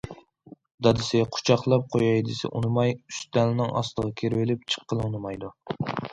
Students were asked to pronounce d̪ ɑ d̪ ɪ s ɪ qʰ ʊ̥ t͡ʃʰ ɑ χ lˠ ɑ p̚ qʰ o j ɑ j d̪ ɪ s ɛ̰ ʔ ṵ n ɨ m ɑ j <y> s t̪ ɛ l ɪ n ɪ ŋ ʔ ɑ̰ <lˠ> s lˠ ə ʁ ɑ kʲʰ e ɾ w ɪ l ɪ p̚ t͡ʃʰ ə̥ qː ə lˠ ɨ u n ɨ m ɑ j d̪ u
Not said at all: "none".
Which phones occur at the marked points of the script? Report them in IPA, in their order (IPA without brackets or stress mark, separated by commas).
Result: y, none